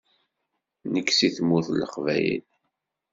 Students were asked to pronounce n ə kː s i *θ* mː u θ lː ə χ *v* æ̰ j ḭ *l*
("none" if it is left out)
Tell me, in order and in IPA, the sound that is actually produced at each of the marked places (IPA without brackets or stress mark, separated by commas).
θ, v, l